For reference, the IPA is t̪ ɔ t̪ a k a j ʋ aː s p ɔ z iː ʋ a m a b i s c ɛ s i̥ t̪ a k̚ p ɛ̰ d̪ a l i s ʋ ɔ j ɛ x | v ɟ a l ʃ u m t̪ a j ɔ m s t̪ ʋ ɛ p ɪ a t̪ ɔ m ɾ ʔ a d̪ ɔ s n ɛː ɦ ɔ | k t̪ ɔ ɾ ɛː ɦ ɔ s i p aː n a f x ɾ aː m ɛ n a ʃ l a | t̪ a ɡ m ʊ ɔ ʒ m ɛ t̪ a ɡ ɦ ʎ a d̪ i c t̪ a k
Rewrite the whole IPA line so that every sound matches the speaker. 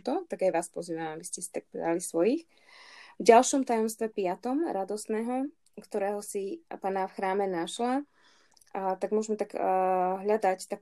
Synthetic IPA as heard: t̪ ɔ t̪ a ɡ a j ʋ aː s p ɔ z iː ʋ a m a b i s c ɛ s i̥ t̪ a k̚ p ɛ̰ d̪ a l i s ʋ ɔ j i x | v ɟ a l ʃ ɔ m t̪ a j ɔ m s t̪ ʋ ɛ p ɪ a t̪ ɔ m ɾ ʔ a d̪ ɔ s n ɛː ɦ ɔ | k t̪ ɔ ɾ ɛː ɦ ɔ s i p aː n a f x ɾ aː m ɛ n a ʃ l a | t̪ a ɡ m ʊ ɔ ʒ m ɛ t̪ a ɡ ɦ ʎ a d̪ a c t̪ a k